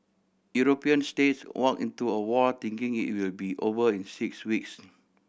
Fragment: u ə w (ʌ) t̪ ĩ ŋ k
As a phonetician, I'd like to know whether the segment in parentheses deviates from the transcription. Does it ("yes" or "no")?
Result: yes